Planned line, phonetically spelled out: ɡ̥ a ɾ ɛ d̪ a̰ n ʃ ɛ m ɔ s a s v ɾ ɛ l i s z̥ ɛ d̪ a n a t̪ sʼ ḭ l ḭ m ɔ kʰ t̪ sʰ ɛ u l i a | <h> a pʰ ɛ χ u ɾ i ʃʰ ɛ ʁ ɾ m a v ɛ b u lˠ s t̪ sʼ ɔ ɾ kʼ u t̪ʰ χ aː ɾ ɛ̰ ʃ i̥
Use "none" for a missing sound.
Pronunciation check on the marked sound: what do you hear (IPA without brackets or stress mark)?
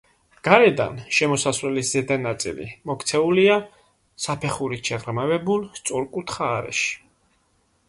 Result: s